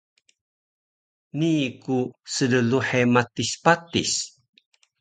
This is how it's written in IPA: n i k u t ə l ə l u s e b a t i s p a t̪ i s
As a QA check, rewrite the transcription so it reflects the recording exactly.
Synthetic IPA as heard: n i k u s ə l ə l u ħ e m a t i s p a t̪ i s